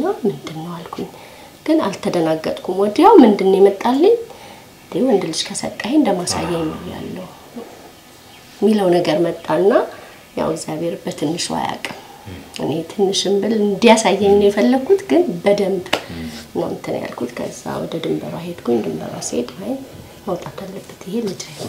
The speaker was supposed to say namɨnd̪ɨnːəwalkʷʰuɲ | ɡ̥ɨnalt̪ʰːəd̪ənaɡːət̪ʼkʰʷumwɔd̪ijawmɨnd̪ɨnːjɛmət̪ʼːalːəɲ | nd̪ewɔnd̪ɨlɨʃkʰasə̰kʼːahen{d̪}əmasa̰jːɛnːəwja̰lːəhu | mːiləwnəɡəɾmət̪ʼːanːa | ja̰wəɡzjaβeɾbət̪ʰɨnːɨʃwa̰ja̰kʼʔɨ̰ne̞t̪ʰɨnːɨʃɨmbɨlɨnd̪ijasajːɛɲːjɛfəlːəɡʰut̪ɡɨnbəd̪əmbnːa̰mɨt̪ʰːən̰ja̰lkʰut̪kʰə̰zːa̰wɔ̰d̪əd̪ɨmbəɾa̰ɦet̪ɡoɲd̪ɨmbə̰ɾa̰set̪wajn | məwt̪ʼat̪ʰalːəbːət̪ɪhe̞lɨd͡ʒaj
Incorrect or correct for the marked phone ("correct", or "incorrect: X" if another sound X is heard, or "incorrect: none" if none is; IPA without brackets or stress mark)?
correct